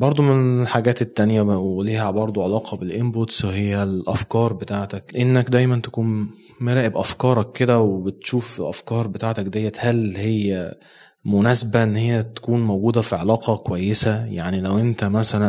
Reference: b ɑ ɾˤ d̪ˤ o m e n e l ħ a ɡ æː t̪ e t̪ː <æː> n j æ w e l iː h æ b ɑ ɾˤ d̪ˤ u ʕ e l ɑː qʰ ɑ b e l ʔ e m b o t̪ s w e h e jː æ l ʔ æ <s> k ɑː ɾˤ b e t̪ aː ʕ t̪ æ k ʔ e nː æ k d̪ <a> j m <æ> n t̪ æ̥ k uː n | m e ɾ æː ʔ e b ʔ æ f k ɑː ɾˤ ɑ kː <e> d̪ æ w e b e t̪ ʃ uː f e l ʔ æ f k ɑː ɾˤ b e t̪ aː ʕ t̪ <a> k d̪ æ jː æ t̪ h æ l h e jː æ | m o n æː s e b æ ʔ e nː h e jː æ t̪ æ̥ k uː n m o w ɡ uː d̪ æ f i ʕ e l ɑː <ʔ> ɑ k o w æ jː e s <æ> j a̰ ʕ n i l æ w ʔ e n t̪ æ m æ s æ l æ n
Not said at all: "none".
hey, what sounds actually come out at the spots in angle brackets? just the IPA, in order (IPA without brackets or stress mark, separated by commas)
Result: æ, f, æ, æ, e, æ, q, æ